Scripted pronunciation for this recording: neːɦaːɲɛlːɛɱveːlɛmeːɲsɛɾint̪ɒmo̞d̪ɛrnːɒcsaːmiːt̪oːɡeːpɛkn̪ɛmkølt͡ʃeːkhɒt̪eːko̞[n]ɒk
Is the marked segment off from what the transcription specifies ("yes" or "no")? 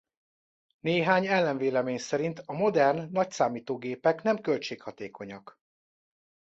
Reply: yes